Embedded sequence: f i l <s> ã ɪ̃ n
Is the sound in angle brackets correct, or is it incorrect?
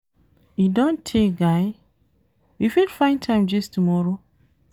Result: incorrect